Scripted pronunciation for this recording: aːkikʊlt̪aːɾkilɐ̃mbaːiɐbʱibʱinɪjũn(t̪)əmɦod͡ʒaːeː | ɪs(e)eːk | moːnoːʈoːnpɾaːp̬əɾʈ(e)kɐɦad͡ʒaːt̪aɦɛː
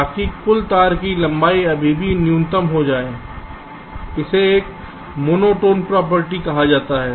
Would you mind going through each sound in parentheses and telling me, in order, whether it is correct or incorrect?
correct, correct, incorrect

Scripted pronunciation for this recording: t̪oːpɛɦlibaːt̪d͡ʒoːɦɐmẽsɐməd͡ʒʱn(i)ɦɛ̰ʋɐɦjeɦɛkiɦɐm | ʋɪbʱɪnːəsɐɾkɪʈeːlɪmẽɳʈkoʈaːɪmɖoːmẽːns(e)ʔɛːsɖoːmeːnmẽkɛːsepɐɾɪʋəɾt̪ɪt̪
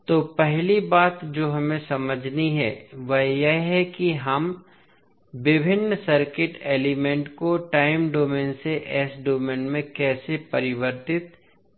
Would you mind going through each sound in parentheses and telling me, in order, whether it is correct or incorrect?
correct, correct

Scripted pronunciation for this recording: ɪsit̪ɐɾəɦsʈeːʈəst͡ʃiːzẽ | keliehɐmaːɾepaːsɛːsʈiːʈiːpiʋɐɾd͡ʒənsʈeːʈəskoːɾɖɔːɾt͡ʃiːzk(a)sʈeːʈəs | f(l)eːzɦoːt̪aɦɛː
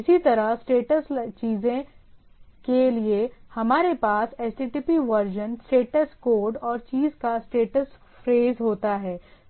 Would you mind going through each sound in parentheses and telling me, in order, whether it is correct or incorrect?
correct, incorrect

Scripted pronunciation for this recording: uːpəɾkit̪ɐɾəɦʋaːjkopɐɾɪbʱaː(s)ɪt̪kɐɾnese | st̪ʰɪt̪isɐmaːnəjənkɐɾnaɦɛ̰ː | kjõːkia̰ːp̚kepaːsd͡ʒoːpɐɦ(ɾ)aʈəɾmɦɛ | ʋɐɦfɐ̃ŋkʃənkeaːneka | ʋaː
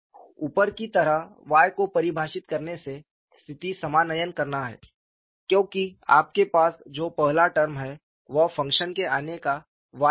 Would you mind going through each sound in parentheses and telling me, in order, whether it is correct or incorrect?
incorrect, incorrect

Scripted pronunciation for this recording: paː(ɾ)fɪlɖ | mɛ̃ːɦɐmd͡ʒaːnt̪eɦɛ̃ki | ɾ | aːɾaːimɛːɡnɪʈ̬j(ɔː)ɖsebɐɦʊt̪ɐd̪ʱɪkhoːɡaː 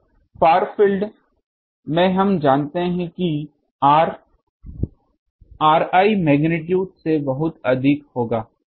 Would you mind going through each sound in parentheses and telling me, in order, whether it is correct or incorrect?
correct, incorrect

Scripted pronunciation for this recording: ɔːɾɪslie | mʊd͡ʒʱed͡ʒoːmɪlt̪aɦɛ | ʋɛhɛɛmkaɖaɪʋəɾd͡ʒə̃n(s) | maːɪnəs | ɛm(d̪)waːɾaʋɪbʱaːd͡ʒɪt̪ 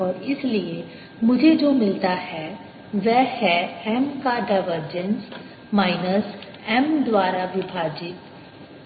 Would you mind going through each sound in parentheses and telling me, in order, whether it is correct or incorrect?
correct, correct

